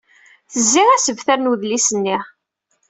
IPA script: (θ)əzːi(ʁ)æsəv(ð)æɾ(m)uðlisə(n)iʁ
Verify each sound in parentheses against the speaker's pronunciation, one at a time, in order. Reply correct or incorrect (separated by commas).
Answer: correct, correct, incorrect, incorrect, incorrect